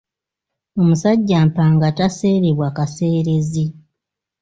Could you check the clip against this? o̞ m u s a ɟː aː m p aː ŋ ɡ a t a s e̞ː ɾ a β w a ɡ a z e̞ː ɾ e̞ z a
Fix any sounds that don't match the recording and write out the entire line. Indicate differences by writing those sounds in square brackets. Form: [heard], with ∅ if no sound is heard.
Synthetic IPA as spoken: o̞ m u s a ɟː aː m p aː ŋ ɡ a t a s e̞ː ɾ [e] β w a [k] a [s] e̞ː ɾ e̞ z [i]